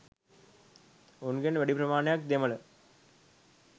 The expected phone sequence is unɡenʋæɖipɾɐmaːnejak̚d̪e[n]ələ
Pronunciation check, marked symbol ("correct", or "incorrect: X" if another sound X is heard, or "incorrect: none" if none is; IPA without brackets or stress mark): incorrect: m